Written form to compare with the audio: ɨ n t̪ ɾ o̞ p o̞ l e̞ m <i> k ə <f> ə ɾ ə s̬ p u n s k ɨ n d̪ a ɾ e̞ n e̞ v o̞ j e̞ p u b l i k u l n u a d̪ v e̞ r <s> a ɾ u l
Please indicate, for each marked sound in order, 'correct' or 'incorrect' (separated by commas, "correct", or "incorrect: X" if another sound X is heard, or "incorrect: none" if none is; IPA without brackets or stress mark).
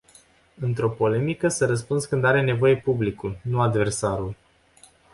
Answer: correct, incorrect: s, correct